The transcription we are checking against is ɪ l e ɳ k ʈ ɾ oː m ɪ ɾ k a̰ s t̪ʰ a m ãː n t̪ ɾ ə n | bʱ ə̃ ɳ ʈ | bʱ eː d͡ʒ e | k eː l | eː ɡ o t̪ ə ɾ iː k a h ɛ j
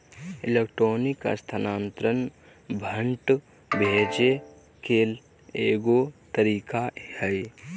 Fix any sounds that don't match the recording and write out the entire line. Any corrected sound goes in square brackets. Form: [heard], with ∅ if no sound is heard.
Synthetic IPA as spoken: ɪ l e [∅] k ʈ ɾ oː [n] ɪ [∅] k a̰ s t̪ʰ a [n] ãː n t̪ ɾ ə n | bʱ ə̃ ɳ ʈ | bʱ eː d͡ʒ e | k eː l | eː ɡ o t̪ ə ɾ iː k a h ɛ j